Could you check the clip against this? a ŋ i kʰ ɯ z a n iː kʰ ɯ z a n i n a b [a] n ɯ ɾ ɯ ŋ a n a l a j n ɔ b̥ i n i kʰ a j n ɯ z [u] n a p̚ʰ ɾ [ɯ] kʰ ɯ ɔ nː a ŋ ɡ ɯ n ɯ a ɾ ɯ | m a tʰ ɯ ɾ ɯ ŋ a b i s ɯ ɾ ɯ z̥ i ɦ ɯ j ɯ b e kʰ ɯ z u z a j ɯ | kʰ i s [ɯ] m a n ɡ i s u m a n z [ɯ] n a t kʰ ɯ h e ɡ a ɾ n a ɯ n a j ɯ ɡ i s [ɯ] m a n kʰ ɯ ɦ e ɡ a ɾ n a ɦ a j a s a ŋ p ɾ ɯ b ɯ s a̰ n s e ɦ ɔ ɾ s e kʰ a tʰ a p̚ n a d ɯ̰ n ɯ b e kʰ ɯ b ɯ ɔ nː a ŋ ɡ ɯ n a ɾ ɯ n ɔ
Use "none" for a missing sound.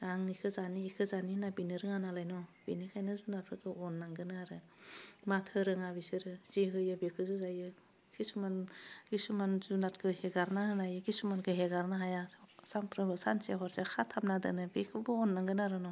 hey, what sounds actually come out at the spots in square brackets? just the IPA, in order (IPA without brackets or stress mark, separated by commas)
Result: i, u, ɯ, u, u, u